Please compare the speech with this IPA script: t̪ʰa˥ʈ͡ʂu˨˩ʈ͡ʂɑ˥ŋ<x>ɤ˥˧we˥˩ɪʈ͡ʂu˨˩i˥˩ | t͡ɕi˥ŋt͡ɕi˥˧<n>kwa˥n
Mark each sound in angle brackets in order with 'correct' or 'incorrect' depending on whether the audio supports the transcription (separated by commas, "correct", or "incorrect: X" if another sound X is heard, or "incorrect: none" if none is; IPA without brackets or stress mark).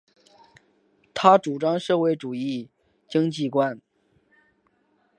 incorrect: ʂ, incorrect: none